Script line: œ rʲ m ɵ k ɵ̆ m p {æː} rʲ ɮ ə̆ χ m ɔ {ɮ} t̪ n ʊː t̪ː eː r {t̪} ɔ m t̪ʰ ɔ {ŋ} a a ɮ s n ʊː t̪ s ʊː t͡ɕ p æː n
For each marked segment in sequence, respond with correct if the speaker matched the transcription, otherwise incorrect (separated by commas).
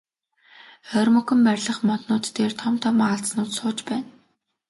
incorrect, incorrect, incorrect, incorrect